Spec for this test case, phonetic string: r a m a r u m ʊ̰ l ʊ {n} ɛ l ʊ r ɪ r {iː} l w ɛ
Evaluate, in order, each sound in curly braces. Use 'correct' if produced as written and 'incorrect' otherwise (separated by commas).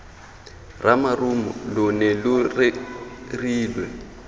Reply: correct, correct